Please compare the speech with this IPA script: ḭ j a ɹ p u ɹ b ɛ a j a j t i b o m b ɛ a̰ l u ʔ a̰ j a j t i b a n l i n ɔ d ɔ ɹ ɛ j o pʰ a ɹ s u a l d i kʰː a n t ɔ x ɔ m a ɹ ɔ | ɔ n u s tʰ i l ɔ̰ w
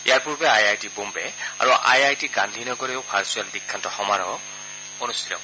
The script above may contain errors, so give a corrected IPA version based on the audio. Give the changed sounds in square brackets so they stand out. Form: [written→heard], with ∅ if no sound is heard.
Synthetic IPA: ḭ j a ɹ p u ɹ b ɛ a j a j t i b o m b ɛ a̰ [l→ɹ] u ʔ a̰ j a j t i [b→ɡ] a n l i n ɔ [d→ɡ] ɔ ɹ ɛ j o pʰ a ɹ s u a l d i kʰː a n t ɔ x ɔ m a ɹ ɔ | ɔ n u s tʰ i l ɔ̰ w